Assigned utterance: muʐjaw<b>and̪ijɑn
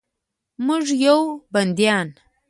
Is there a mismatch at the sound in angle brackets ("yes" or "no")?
no